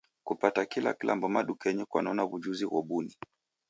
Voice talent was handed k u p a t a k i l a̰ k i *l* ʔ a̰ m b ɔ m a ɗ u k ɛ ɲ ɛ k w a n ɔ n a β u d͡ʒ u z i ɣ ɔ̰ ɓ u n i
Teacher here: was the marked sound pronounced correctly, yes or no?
yes